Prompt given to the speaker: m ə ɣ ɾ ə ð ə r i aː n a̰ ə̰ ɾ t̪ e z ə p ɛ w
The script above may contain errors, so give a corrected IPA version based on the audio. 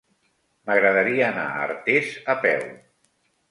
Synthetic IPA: m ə ɣ ɾ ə ð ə ɾ i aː n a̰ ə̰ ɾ t̪ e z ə p ɛ w